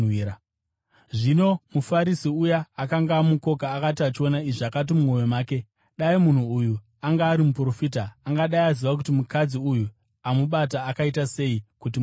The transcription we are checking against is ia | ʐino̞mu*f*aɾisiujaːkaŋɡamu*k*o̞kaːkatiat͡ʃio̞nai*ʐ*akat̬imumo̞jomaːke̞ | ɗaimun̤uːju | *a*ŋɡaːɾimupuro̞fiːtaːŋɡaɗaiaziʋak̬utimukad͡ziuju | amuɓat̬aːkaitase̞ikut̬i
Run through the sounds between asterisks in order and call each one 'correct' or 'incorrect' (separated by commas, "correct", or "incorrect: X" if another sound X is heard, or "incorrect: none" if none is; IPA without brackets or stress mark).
correct, correct, correct, correct